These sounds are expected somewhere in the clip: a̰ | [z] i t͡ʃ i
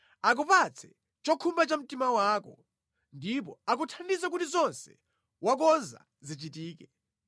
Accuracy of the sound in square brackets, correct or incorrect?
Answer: correct